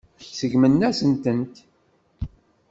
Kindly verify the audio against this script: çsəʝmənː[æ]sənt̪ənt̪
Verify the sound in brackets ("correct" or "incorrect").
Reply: correct